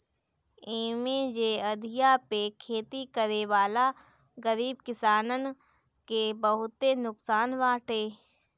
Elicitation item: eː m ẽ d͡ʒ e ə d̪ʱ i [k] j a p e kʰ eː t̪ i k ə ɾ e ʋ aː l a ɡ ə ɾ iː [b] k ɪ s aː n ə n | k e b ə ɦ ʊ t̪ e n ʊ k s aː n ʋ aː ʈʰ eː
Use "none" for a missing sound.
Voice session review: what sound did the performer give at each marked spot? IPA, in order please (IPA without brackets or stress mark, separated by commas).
none, b